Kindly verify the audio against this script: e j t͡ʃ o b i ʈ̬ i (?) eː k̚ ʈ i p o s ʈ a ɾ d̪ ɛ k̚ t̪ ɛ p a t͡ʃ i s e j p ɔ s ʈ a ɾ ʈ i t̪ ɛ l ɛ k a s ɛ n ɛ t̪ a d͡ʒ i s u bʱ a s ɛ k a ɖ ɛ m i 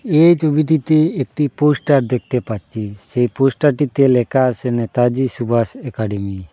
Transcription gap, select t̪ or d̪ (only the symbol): t̪